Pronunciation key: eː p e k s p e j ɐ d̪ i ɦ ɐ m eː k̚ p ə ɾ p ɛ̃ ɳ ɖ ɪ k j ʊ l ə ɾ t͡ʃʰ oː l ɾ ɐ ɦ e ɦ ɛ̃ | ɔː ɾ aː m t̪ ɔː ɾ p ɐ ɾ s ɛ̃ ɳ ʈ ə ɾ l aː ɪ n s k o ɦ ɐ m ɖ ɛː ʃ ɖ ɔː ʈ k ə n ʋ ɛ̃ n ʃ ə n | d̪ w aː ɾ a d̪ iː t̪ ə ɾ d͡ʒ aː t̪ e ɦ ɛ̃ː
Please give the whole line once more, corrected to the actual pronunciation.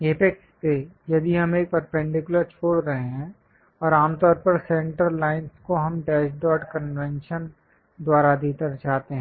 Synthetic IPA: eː p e k s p e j ɐ d̪ i ɦ ɐ m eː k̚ p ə ɾ p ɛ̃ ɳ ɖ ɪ k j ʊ l ə ɾ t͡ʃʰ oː ɽ ɾ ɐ ɦ e ɦ ɛ̃ | ɔː ɾ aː m t̪ ɔː ɾ p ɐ ɾ s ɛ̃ ɳ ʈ ə ɾ l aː ɪ n s k o ɦ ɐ m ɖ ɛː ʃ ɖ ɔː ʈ k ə n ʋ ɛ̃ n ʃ ə n | d̪ w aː ɾ a d̪ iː t̪ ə ɾ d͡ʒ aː t̪ e ɦ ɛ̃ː

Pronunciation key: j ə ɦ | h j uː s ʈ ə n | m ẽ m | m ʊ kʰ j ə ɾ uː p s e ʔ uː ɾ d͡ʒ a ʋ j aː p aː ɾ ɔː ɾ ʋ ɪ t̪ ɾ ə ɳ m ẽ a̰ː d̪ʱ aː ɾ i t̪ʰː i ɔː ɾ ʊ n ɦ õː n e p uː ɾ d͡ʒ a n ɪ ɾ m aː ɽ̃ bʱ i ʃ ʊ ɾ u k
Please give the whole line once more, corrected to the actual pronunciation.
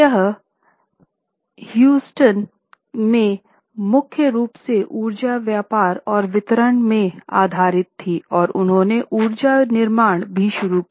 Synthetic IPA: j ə ɦ | h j uː s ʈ ə n | m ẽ | m ʊ kʰ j ə ɾ uː p s e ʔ uː ɾ d͡ʒ a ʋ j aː p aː ɾ ɔː ɾ ʋ ɪ t̪ ɾ ə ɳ m ẽ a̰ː d̪ʱ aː ɾ ɪ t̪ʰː i ɔː ɾ ʊ n ɦ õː n e ʔ uː ɾ d͡ʒ a n ɪ ɾ m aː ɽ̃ bʱ i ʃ ʊ ɾ u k

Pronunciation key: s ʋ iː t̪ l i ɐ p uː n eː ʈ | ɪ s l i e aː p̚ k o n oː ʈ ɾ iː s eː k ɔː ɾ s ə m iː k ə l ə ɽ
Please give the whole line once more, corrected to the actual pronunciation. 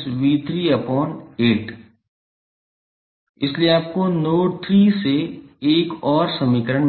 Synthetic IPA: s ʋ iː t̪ ɾ i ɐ p ɔː n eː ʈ | ɪ s l i e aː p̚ k o n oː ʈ ɾ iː s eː k ɔː ɾ s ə m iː k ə ɾ ə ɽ

